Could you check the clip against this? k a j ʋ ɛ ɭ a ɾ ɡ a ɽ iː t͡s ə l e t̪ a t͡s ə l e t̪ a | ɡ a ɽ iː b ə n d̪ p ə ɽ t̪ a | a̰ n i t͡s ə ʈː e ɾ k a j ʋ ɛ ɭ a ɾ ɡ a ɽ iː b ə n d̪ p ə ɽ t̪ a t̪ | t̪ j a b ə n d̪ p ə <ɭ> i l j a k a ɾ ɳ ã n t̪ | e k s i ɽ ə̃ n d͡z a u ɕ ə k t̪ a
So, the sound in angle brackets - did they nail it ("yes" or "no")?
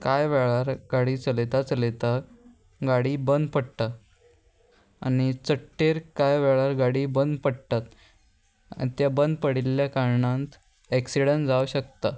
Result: no